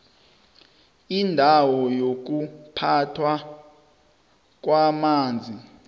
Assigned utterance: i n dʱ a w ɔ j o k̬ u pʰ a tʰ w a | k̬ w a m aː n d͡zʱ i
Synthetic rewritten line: i n dʱ a w ɔ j o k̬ u pʰ a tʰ w a | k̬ w a m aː n d͡zʱ i